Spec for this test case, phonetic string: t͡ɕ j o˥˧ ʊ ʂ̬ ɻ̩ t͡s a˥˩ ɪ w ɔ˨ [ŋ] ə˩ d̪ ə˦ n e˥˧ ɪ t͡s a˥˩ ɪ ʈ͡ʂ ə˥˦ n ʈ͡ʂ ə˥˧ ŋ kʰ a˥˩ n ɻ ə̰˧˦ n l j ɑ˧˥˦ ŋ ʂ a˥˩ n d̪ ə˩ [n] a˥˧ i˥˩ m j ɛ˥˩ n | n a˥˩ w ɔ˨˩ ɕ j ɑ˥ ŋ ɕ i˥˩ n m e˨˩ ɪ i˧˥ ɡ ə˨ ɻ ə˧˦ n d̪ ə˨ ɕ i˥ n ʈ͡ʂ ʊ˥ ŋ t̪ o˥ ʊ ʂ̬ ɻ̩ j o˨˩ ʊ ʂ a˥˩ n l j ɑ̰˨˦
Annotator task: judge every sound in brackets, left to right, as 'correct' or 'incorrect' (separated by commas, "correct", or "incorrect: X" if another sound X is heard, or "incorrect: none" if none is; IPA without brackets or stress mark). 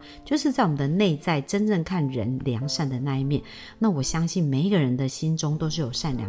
incorrect: m, correct